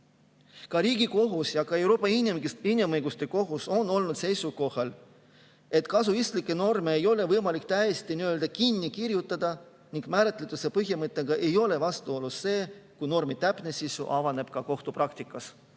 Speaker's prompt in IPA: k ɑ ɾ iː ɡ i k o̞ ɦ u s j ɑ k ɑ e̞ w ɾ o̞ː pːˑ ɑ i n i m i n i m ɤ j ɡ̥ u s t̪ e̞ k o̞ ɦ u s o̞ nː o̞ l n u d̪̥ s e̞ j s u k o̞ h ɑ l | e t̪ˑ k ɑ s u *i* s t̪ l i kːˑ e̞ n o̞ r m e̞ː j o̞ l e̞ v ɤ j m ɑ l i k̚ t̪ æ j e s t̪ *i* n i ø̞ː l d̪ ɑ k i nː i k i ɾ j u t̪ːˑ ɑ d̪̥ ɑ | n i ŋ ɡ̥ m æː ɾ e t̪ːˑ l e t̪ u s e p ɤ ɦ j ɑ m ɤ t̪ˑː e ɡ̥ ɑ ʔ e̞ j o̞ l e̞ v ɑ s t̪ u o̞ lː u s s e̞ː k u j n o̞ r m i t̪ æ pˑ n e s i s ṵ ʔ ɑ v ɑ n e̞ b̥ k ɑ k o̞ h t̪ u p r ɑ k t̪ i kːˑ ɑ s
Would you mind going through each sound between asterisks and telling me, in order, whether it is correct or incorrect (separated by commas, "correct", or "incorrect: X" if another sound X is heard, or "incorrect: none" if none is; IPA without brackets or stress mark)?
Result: correct, correct